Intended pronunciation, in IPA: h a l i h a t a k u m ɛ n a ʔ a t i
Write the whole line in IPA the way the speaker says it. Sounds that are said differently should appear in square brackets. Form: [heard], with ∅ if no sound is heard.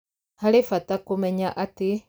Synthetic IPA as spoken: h a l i [f] a t a k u m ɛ [ɲ] a ʔ a t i

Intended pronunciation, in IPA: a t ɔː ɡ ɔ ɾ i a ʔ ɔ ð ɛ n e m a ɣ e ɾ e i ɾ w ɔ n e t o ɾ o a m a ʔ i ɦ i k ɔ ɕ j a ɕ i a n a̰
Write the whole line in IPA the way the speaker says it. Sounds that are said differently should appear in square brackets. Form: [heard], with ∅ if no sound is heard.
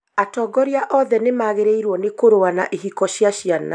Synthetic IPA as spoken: a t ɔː ɡ ɔ ɾ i a ʔ ɔ ð ɛ n e m a ɣ e ɾ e i ɾ w ɔ n e [k] o ɾ o a [n] a ʔ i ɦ i k ɔ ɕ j a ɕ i a n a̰

